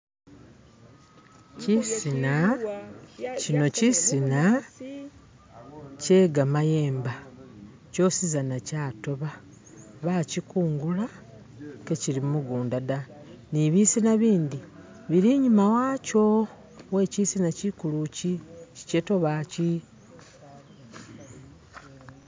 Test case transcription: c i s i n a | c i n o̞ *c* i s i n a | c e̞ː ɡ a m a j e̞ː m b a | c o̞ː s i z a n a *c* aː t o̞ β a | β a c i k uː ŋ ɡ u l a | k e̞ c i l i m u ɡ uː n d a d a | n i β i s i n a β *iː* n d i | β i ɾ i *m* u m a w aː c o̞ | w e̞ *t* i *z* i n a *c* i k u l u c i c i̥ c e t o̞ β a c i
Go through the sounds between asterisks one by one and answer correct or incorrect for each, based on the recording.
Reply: correct, correct, correct, incorrect: ɲ, incorrect: c, incorrect: s, correct

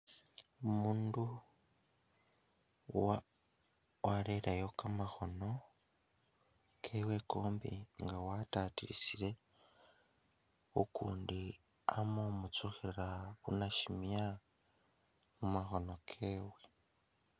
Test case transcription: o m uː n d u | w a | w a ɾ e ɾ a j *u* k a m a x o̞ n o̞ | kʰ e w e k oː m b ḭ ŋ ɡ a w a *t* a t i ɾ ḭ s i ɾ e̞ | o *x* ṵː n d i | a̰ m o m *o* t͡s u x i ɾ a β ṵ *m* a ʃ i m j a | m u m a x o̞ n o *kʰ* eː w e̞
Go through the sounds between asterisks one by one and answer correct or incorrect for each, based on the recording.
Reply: incorrect: o, correct, incorrect: k, incorrect: u, incorrect: n, correct

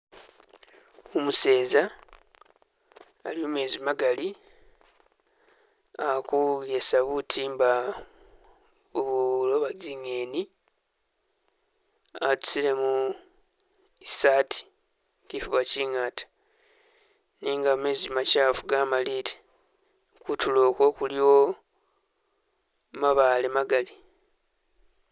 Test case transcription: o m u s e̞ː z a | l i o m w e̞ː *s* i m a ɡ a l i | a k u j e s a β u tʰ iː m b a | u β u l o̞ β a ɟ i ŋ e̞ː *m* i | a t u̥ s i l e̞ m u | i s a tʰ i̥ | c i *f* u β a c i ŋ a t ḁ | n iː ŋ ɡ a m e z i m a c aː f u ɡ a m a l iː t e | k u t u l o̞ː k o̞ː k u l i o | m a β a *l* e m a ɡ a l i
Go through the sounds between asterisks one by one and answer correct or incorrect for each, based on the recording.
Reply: incorrect: z, incorrect: n, correct, correct

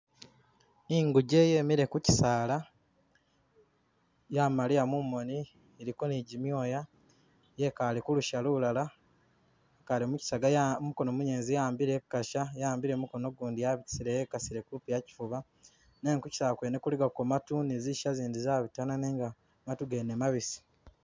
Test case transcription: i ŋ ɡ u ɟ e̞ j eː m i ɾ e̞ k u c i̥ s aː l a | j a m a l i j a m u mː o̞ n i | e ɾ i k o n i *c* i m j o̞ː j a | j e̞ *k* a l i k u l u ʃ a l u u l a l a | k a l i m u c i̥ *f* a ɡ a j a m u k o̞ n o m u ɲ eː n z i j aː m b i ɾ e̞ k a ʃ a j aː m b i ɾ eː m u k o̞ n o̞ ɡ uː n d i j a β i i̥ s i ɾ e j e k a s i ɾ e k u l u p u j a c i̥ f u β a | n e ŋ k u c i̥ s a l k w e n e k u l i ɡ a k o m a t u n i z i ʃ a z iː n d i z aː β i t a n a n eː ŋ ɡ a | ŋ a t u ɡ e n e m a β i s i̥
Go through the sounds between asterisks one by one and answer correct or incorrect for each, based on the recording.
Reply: incorrect: ɟ, correct, incorrect: s

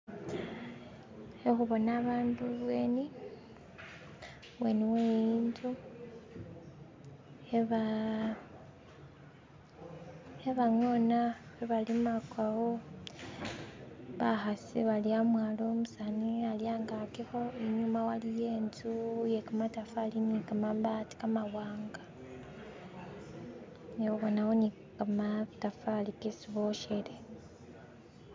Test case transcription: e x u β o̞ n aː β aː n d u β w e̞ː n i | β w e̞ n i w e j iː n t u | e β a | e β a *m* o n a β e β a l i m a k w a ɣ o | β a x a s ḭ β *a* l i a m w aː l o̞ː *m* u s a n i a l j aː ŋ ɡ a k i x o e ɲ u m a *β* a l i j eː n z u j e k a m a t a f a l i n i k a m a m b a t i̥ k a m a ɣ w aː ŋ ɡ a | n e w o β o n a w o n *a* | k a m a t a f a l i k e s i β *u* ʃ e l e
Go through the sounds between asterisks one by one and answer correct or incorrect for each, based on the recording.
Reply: incorrect: ŋ, correct, correct, incorrect: w, incorrect: i, incorrect: o

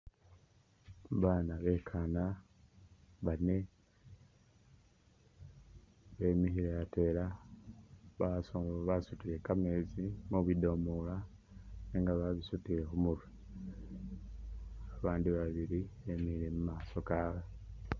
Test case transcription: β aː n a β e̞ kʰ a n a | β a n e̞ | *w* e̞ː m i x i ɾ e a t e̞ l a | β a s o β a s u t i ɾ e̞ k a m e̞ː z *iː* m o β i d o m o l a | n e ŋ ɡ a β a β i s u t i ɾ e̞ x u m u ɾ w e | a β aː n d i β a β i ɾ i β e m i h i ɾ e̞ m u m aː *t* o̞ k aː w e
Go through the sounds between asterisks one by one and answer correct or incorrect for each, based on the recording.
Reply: incorrect: β, incorrect: i, incorrect: s

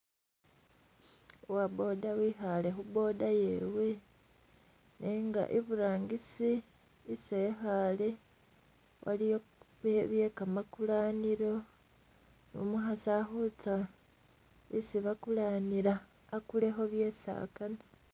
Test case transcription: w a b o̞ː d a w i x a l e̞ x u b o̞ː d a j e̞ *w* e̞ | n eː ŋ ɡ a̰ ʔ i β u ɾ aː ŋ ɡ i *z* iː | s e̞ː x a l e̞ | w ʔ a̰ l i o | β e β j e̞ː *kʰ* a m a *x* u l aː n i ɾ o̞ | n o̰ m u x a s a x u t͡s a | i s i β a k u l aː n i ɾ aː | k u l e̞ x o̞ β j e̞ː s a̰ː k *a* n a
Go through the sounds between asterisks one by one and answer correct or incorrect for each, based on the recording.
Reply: correct, incorrect: s, incorrect: k, incorrect: k, correct

